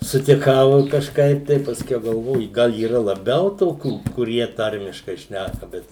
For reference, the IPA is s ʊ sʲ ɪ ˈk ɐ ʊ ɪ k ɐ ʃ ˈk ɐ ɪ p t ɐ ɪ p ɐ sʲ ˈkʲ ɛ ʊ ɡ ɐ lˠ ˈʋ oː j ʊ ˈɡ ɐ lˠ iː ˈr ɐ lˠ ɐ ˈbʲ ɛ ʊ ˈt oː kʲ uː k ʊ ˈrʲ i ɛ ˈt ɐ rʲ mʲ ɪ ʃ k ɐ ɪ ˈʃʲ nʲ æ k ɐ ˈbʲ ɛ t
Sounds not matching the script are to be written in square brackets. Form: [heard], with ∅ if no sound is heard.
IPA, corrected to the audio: s ʊ [tʲ] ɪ ˈk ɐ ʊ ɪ k ɐ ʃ ˈk ɐ ɪ p t ɐ ɪ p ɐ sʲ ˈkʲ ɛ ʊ ɡ ɐ lˠ ˈʋ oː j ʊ ˈɡ ɐ lˠ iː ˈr ɐ lˠ ɐ ˈbʲ ɛ ʊ ˈt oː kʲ uː k ʊ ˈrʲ i ɛ ˈt ɐ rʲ mʲ ɪ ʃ k ɐ ɪ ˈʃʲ nʲ æ k ɐ ˈbʲ ɛ t